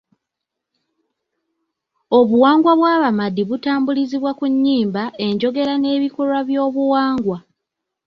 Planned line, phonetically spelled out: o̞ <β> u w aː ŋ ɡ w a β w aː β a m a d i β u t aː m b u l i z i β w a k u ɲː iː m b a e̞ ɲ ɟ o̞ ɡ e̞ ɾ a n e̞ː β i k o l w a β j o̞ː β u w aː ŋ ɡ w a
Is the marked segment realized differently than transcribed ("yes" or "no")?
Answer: no